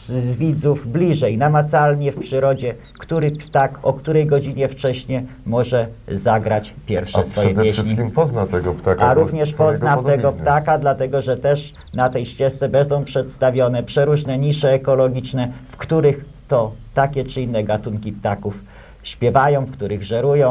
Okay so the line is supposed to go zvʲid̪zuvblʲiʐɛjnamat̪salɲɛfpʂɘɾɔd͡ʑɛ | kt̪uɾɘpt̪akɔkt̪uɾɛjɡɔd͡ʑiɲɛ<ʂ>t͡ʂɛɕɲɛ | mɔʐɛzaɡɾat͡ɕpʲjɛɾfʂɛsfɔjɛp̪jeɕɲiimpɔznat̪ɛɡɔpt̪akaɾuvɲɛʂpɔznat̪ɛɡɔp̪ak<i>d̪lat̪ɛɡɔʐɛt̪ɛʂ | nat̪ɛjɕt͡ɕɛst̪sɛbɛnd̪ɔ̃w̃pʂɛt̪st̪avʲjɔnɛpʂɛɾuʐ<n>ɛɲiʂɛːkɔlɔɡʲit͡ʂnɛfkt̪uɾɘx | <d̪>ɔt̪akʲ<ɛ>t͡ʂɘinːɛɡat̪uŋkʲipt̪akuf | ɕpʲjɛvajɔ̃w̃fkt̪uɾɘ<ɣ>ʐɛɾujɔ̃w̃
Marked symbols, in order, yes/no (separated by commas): no, no, yes, no, yes, yes